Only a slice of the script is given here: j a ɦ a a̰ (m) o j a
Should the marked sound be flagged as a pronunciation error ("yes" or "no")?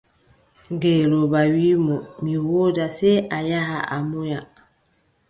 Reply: no